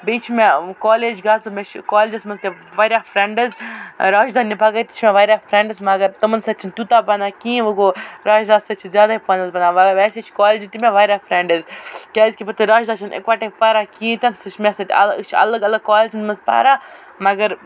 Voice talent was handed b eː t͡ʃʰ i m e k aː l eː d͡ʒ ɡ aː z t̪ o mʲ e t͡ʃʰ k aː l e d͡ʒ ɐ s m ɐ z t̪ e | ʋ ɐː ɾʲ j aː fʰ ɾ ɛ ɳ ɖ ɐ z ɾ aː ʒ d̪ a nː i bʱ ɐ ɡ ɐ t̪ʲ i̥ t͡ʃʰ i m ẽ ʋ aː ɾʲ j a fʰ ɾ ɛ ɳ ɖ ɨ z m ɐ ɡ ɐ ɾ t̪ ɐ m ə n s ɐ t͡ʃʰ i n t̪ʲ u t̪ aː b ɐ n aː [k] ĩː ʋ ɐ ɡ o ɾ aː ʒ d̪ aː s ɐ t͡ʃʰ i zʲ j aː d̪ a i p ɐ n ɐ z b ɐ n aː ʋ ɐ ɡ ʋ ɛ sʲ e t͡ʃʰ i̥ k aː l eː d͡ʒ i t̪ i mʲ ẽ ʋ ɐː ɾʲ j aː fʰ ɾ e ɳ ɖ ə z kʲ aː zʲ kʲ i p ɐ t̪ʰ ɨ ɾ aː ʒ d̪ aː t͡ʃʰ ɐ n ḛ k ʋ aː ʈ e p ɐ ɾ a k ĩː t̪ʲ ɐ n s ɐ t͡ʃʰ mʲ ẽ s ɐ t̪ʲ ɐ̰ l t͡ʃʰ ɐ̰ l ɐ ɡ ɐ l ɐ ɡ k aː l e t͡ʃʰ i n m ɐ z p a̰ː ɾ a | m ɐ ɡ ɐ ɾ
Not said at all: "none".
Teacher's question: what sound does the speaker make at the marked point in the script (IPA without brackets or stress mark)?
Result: k